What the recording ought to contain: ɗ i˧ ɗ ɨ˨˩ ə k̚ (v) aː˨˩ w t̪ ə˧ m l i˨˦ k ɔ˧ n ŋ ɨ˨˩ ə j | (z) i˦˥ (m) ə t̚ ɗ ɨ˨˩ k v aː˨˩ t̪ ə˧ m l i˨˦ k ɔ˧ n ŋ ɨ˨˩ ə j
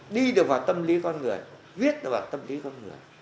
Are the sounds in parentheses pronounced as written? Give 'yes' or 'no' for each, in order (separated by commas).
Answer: yes, no, no